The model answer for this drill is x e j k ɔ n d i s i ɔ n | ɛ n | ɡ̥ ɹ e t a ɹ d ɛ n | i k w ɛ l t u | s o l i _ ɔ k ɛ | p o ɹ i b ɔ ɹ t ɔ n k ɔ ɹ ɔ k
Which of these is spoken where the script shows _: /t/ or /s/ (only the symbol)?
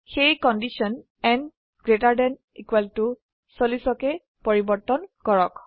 s